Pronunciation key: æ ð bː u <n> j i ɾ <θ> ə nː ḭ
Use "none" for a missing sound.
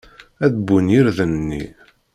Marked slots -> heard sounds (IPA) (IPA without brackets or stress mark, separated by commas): n, ð